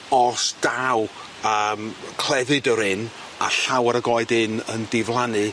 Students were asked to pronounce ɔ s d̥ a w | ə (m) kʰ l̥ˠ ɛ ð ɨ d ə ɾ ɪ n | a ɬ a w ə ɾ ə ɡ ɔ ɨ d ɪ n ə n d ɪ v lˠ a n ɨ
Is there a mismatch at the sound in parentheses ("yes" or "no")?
no